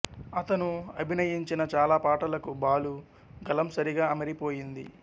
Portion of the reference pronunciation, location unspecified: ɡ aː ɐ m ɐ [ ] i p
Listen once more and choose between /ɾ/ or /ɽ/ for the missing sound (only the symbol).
ɾ